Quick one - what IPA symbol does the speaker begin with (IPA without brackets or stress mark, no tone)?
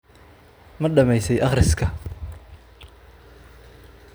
m